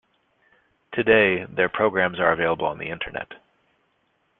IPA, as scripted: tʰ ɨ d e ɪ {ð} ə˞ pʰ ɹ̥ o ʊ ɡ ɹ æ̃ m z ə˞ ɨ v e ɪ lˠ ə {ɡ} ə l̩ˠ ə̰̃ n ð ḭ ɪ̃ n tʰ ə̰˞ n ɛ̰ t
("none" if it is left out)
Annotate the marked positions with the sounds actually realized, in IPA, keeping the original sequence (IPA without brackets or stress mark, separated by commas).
ð, b